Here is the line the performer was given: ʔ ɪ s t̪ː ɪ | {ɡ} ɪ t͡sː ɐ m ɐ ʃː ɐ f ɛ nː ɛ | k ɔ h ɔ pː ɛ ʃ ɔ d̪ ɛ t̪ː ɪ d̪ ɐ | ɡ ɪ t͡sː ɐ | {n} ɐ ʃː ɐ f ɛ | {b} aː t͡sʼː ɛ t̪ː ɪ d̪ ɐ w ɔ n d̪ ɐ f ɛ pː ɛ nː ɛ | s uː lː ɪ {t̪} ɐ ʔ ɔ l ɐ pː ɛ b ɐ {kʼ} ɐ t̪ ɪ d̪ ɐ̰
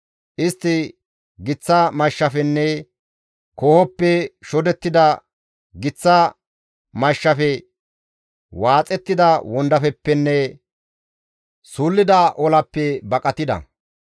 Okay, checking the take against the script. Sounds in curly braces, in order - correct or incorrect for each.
correct, incorrect, incorrect, incorrect, correct

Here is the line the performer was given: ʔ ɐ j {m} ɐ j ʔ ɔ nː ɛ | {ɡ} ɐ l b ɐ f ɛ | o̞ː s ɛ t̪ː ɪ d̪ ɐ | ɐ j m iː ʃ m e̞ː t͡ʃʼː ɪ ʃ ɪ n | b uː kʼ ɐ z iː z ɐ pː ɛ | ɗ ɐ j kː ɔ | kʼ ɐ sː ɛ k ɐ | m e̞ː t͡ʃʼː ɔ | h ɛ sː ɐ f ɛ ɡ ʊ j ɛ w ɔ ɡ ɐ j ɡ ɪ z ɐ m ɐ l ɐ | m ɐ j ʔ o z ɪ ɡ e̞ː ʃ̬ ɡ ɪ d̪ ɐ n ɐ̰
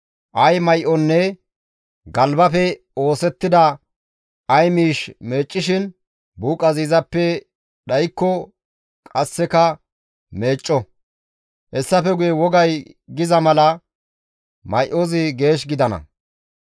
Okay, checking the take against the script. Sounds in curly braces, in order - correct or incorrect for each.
correct, correct

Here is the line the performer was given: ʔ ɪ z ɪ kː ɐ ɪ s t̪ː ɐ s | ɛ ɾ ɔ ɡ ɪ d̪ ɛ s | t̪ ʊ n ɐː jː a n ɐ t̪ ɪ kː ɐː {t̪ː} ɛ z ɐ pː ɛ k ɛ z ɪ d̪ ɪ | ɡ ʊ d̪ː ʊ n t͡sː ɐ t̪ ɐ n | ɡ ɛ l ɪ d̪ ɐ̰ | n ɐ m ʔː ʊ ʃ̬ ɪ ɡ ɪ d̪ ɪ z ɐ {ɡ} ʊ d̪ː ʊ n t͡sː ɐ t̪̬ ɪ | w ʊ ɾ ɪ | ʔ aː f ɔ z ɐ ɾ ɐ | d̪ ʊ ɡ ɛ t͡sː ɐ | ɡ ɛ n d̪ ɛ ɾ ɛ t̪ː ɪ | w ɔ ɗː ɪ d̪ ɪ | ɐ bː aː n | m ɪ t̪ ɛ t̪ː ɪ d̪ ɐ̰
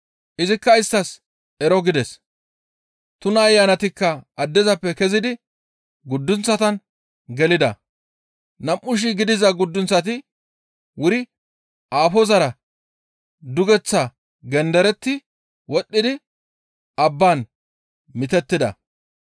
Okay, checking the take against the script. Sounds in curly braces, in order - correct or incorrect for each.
incorrect, correct

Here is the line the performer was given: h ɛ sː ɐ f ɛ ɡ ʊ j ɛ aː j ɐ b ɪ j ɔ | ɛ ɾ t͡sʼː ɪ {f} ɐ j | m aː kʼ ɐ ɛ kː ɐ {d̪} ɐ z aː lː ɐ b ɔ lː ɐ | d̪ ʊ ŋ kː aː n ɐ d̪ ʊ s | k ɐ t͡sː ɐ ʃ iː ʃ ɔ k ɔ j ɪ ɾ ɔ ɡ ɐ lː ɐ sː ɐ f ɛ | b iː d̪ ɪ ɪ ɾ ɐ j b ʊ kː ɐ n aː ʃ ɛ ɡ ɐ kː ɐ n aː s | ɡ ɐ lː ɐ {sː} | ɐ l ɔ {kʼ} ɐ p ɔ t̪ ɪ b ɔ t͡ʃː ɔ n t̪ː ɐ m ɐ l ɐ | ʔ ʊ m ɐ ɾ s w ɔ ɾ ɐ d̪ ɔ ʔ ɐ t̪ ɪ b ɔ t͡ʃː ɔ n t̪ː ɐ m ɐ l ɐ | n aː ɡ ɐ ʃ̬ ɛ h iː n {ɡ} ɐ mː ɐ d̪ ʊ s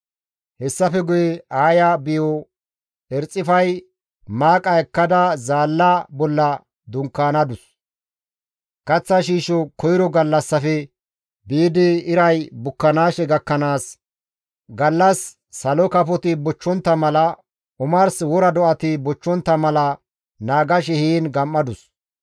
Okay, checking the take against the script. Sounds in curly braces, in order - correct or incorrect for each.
correct, correct, correct, incorrect, correct

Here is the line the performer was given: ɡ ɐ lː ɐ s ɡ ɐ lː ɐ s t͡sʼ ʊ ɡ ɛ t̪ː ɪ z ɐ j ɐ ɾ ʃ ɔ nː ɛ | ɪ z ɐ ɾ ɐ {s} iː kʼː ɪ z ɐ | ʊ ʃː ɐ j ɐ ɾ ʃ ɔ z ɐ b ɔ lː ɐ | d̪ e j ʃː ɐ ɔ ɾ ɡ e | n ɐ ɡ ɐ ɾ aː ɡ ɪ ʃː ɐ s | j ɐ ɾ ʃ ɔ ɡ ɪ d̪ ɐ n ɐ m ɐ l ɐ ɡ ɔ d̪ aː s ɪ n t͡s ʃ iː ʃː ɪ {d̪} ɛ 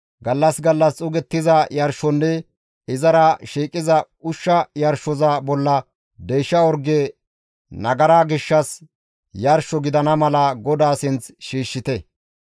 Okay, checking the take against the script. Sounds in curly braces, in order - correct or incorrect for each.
incorrect, incorrect

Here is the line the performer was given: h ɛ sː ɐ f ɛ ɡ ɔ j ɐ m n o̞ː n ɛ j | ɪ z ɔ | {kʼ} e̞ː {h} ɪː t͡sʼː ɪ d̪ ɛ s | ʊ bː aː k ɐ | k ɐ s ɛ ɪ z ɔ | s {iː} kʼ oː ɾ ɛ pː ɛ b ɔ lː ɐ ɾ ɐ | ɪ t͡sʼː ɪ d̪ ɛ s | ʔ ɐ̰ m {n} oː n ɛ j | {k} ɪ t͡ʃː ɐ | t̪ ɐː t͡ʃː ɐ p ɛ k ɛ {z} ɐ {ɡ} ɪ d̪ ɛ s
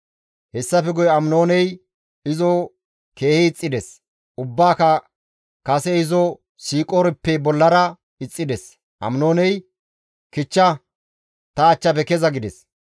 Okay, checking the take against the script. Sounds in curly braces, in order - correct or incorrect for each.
incorrect, correct, correct, correct, correct, correct, correct

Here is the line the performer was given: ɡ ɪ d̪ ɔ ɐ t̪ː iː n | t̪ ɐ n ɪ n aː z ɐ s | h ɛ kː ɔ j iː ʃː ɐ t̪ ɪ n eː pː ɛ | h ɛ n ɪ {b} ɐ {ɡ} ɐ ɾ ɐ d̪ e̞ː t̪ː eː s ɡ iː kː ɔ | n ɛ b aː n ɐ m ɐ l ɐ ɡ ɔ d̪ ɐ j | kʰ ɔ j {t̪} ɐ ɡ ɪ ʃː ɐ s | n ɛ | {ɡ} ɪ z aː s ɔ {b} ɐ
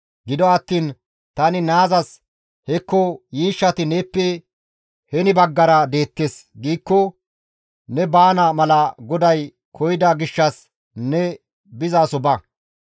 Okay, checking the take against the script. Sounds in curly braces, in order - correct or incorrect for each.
correct, incorrect, incorrect, incorrect, correct

